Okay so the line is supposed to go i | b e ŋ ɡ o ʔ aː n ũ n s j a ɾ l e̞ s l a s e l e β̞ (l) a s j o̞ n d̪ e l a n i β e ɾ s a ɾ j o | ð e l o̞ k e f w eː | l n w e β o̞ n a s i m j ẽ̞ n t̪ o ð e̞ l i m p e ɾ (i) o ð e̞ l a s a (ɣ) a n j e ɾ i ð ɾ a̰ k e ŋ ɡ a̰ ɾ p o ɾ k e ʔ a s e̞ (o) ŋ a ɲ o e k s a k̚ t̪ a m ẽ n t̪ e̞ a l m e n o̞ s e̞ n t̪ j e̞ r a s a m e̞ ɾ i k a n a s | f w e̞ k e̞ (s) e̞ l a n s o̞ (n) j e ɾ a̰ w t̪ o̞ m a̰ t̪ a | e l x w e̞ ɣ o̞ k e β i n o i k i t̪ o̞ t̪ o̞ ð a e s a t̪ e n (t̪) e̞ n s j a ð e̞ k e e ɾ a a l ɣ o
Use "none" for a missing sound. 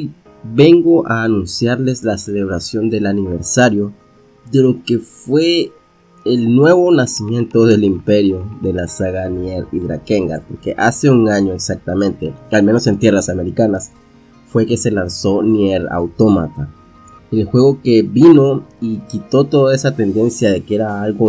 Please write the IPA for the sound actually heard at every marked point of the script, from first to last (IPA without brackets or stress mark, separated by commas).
ɾ, j, ɣ, u, s, n, d̪